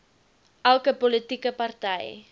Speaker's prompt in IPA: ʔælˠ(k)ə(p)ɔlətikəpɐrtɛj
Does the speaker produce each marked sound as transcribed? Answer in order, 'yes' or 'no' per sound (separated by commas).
yes, yes